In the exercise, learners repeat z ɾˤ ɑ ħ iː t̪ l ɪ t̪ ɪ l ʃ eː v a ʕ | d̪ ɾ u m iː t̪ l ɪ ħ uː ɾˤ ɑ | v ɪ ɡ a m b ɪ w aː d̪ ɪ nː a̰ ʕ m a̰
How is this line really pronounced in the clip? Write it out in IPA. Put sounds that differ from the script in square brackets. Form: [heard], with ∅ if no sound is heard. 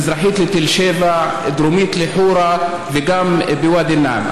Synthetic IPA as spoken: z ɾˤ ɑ ħ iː t̪ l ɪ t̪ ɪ l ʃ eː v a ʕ | d̪ ɾ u m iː t̪ l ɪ ħ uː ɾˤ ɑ | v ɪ ɡ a m b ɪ w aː d̪ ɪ nː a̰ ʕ m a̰